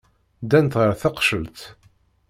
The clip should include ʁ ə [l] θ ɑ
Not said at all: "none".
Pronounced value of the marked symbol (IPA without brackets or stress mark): ɾ